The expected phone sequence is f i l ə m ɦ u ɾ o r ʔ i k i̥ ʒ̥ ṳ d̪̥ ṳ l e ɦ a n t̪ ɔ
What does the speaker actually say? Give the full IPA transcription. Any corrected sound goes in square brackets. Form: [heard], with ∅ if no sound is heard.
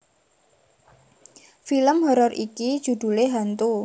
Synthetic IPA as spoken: f i l ə m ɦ [ɔ] ɾ [ɔ] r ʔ i k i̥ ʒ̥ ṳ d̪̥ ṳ l e ɦ a n t̪ [u]